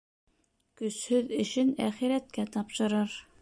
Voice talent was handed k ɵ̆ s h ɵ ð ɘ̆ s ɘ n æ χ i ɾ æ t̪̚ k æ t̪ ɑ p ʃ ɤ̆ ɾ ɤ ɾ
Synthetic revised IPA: k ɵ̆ s h ɵ ð ɘ̆ ʃ ɘ n æ χ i ɾ æ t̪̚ k æ t̪ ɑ p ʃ ɤ̆ ɾ ɤ ɾ